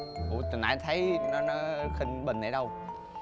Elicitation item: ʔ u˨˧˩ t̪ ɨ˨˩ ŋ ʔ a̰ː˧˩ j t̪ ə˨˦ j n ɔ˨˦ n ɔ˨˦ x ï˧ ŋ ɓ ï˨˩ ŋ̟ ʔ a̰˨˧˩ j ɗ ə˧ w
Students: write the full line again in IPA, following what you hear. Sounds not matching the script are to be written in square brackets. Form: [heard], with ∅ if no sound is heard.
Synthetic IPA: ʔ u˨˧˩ t̪ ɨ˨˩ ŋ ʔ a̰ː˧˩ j [t̪ʰ] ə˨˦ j n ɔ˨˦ n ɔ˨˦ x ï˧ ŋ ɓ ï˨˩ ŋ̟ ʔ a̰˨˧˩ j ɗ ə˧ w